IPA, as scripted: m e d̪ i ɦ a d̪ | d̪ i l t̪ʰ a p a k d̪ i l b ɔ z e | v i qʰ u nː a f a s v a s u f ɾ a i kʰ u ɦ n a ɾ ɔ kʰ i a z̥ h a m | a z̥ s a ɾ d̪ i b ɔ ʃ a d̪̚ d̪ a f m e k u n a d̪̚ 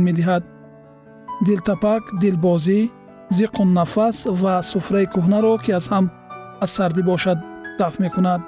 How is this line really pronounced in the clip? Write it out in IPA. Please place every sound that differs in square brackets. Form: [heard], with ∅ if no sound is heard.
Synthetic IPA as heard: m e d̪ i ɦ a d̪ | d̪ i l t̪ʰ a p a k d̪ i l b ɔ z [i] | [z] i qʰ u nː a f a s v a s u f ɾ a i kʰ u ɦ n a ɾ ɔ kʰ i a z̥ h a m | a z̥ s a ɾ d̪ i b ɔ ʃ a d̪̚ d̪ a f m e k u n a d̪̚